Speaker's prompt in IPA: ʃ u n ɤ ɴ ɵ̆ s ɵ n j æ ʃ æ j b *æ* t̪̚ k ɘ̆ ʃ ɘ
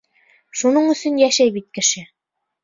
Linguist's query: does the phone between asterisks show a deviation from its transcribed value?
yes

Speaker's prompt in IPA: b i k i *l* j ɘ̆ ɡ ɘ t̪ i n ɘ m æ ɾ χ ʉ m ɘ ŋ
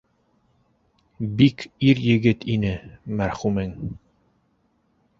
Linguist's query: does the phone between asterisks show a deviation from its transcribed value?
yes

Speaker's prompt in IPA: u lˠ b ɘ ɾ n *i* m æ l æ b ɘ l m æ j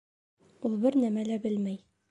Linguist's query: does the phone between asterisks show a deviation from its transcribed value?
yes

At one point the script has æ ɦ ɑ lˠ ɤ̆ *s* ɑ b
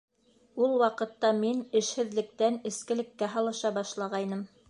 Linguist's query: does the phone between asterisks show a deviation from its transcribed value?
yes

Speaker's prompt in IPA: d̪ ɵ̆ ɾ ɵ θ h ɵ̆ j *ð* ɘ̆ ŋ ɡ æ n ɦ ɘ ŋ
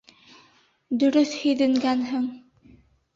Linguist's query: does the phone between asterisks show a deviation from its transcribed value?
no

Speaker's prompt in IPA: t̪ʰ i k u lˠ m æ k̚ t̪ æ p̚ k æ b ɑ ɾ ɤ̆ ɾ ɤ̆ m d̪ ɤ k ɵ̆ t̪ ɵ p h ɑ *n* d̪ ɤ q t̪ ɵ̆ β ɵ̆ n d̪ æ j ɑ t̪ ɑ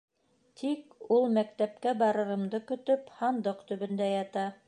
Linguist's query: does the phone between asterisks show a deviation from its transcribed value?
no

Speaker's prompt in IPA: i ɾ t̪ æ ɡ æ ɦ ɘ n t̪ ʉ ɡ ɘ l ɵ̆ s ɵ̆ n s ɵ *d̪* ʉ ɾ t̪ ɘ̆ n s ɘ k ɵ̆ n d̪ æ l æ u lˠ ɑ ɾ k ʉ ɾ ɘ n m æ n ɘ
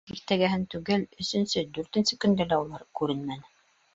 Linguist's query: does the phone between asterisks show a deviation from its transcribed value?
no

